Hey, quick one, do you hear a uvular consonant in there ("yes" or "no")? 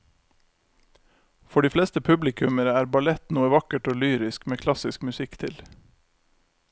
no